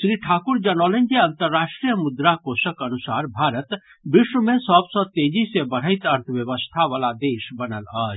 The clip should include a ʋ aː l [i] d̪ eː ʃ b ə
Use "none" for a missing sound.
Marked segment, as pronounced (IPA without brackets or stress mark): a